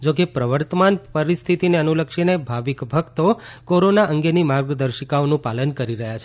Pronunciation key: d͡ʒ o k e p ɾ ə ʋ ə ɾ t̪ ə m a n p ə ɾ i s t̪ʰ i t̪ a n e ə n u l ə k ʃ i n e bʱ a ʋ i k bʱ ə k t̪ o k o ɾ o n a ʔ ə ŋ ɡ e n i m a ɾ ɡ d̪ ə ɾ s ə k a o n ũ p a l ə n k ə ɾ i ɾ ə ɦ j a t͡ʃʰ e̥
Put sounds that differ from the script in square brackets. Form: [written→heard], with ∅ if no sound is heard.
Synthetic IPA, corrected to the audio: d͡ʒ o k e p ɾ ə ʋ ə ɾ t̪ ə m a n p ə ɾ i s t̪ʰ i t̪ [a→i] n e ə n u l ə k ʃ i n e bʱ a ʋ i k bʱ ə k t̪ o k o ɾ o n a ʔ ə ŋ ɡ e n i m a ɾ ɡ d̪ ə ɾ [s→ʃ] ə k a o n ũ p a l ə n k ə ɾ i ɾ ə ɦ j a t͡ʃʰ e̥